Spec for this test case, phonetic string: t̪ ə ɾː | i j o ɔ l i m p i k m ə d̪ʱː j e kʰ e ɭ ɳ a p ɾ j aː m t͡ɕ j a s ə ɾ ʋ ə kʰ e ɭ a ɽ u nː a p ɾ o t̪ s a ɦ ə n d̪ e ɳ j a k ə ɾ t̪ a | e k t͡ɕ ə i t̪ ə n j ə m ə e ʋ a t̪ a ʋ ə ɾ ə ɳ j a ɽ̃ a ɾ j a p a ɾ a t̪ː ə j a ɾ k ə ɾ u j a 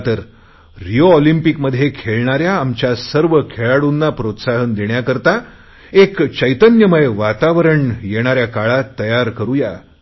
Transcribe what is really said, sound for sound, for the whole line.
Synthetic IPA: t̪ ə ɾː | i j o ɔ l i m p i k m ə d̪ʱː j e kʰ e ɭ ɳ a ɾ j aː m t͡ɕ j a s ə ɾ ʋ ə kʰ e ɭ a ɽ u nː a p ɾ o t̪ s a ɦ ə n d̪ e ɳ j a k ə ɾ t̪ a | e k t͡ɕ ə j t̪ ə n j ə m ə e ʋ a t̪ a ʋ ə ɾ ə ɳ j e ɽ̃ a ɾ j a k a ɭ a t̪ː ə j a ɾ k ə ɾ u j a